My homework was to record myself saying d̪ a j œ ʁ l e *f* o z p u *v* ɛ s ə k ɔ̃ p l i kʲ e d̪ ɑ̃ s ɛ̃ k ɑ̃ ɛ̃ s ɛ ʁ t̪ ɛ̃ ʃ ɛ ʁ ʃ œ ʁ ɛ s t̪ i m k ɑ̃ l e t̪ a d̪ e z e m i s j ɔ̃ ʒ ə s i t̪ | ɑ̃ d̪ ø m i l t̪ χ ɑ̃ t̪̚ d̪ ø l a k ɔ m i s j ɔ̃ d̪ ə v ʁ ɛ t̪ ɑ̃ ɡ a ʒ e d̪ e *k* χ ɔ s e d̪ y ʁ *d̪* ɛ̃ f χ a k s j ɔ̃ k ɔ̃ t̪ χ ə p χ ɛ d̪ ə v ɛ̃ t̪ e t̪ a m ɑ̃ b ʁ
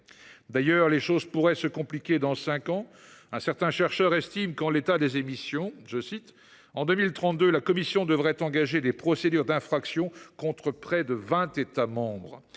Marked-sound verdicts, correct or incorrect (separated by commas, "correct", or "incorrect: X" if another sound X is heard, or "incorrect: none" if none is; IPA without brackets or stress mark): incorrect: ʃ, incorrect: ʁ, incorrect: p, correct